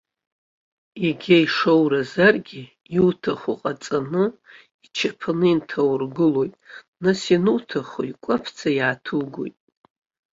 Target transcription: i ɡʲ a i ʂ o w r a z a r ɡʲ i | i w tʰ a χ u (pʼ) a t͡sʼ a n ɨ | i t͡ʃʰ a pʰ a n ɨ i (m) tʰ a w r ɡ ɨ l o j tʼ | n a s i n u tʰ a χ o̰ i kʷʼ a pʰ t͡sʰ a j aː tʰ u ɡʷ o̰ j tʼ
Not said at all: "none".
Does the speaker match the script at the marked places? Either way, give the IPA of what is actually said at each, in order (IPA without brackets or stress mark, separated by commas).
qʼ, n